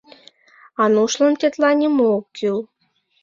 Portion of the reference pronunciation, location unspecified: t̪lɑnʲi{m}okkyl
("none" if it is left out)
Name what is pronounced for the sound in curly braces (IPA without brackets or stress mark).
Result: m